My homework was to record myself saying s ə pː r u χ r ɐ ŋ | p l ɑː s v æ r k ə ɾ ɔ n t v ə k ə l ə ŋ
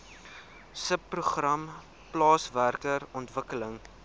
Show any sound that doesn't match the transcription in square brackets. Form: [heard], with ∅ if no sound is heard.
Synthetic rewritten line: s ə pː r u χ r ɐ [m] | p l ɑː s v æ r k ə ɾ ɔ n t v ə k ə l ə ŋ